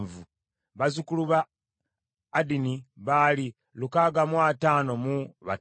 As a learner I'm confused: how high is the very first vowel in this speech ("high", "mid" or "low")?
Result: high